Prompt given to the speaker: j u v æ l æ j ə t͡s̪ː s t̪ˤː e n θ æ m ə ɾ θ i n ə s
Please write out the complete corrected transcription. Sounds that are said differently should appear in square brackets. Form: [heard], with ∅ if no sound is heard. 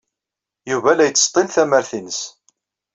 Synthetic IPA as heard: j u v æ l æ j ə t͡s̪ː s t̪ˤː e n θ æ m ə ɾ θ i n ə s